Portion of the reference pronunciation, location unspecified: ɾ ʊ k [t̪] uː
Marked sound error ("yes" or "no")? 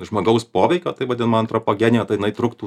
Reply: no